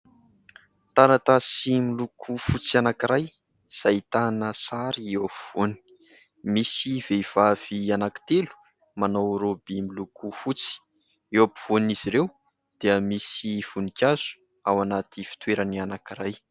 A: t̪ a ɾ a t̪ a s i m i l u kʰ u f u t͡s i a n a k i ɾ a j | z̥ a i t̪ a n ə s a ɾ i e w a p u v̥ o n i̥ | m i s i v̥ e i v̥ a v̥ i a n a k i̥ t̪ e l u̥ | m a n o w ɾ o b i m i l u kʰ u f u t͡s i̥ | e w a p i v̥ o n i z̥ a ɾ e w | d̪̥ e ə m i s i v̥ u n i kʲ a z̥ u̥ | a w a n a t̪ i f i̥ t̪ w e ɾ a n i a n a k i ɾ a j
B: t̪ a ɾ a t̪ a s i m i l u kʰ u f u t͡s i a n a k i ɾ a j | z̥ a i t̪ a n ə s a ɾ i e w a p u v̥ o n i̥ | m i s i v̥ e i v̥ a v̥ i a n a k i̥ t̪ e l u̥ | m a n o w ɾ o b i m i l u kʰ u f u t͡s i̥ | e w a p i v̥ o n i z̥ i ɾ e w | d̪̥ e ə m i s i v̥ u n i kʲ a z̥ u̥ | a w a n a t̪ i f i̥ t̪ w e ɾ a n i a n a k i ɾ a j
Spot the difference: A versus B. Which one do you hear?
B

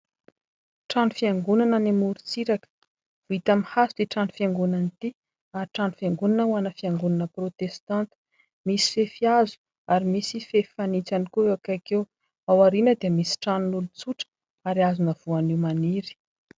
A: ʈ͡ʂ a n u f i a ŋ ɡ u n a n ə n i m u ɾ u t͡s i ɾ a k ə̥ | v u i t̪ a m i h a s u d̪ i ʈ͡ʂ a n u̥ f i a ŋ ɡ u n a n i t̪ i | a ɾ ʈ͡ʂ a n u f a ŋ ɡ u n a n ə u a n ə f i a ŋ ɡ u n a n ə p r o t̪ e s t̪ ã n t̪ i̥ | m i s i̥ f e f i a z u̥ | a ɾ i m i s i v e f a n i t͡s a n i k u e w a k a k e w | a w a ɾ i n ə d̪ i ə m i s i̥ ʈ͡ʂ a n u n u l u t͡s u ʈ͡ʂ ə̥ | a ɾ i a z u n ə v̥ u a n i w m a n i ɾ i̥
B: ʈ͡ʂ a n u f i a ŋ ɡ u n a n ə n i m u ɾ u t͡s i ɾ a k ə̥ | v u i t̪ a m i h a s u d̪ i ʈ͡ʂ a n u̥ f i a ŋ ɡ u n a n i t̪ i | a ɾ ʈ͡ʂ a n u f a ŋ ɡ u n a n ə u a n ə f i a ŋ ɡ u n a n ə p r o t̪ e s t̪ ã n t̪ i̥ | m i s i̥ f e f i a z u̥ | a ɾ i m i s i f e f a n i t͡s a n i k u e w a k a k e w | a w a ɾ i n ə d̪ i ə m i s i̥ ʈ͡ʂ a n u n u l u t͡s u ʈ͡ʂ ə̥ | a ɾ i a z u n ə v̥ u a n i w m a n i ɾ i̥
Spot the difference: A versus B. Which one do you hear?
B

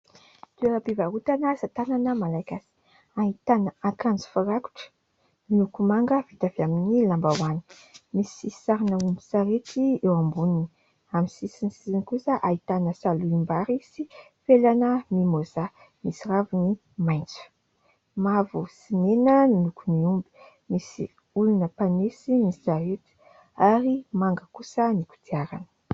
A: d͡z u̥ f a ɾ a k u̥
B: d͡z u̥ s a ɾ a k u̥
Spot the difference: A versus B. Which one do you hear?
A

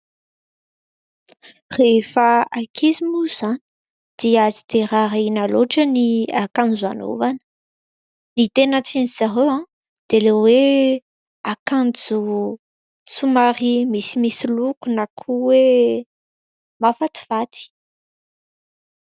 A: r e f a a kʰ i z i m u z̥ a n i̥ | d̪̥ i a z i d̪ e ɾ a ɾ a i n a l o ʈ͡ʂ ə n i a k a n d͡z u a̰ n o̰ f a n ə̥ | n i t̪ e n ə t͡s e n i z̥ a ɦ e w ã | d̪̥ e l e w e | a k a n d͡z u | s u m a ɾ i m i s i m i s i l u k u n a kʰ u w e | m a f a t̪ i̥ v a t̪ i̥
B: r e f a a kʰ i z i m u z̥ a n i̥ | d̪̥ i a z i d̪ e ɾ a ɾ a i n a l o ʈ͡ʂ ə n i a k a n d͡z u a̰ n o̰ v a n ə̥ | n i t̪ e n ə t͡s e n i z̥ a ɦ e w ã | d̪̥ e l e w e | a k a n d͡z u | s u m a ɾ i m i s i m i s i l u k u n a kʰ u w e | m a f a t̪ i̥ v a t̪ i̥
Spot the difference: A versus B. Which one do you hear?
B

